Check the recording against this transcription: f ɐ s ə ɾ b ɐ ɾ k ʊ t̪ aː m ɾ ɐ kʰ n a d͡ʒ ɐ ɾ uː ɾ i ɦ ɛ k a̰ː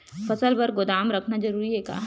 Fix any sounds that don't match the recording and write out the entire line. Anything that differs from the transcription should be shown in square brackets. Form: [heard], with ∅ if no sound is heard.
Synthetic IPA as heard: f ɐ s ə [l] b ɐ ɾ [ɡ] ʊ [d̪] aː m ɾ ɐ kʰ n a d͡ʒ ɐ ɾ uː ɾ i ɦ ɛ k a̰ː